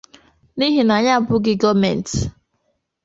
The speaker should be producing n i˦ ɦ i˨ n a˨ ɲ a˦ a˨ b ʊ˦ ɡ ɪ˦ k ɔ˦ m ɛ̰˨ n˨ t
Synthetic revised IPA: n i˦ ɦ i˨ n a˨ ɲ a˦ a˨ b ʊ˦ ɡ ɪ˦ ɡ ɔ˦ m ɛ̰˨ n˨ t